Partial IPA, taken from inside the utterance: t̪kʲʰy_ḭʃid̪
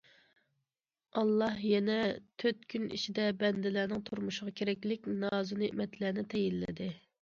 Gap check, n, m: n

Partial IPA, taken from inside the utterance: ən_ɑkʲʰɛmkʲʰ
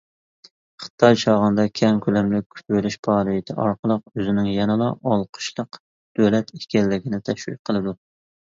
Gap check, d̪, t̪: d̪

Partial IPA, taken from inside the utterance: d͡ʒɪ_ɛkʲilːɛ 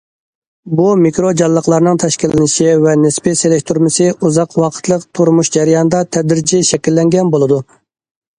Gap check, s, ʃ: ʃ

